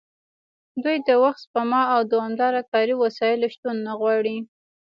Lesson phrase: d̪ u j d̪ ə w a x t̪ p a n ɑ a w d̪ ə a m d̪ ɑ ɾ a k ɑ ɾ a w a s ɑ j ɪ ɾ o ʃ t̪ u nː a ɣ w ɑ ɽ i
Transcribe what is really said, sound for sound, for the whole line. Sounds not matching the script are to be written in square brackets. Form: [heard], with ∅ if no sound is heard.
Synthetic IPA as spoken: d̪ u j d̪ ə w a x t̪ p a [m] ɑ a w d̪ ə a m d̪ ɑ ɾ a k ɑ ɾ [i] w a s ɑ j ɪ [l] o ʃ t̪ u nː a ɣ w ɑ ɽ i